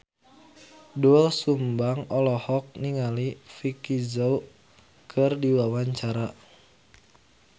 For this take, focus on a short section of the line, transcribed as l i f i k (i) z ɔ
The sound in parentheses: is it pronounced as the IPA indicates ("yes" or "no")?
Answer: yes